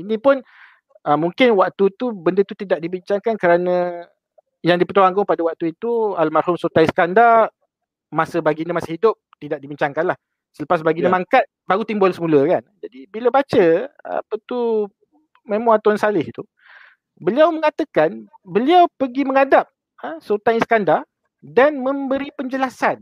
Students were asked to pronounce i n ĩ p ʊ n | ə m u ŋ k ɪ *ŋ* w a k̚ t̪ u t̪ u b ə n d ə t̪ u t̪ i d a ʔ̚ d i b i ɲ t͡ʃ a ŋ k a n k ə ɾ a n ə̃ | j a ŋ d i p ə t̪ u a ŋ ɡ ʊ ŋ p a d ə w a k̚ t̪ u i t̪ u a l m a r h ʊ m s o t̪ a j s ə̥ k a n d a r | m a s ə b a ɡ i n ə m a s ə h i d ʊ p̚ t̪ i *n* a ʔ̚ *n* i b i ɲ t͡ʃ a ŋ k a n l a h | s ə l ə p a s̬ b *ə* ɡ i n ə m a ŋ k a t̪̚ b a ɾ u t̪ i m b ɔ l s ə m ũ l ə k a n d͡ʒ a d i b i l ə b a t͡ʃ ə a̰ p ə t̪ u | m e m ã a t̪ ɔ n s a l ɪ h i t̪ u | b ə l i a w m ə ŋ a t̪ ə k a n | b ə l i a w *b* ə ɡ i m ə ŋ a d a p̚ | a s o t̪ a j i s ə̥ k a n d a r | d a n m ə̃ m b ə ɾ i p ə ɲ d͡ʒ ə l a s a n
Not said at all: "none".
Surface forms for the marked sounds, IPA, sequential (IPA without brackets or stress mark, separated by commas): n, d, d, a, p